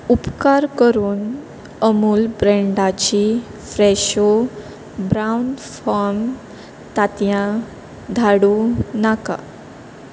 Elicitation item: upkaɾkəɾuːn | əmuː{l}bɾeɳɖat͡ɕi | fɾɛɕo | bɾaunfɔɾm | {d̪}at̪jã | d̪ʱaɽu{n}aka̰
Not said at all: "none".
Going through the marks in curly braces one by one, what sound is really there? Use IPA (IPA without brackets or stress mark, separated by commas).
l, t̪, n